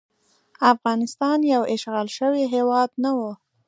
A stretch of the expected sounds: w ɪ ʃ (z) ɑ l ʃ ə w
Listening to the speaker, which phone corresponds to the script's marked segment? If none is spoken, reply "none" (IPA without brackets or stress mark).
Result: ɣ